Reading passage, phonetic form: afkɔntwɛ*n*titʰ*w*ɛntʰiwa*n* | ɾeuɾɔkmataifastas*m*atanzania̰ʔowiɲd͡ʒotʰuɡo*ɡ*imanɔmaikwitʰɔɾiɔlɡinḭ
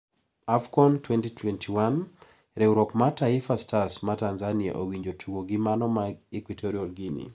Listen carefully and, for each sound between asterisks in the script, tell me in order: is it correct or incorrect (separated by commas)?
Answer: correct, correct, correct, correct, correct